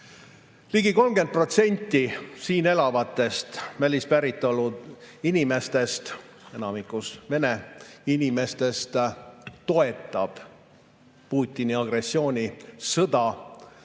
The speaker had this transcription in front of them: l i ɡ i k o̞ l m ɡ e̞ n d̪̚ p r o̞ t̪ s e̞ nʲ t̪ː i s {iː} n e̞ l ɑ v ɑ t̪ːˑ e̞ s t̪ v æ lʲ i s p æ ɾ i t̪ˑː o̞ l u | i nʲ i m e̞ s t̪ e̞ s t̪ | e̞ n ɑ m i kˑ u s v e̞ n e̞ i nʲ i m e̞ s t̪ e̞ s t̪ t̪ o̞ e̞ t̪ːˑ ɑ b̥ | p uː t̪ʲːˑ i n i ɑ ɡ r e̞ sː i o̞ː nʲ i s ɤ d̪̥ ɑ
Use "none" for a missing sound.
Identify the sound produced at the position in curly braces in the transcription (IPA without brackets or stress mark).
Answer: iː